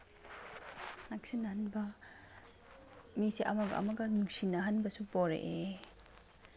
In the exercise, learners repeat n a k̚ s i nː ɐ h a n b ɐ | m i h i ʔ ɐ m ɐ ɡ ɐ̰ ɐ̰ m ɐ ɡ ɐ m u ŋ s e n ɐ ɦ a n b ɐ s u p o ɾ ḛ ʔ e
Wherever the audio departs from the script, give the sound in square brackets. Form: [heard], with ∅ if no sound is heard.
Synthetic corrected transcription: n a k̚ s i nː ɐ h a n b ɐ | m i [s] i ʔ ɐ m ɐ ɡ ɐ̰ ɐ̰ m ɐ ɡ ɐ [n] u ŋ s [i] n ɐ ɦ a n b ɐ s u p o ɾ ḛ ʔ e